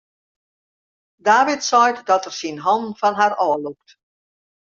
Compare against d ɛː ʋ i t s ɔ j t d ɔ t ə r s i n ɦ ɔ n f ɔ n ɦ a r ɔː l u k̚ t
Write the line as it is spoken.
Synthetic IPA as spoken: d aː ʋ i t s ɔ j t d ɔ t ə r s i n ɦ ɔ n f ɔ n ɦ a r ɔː l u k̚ t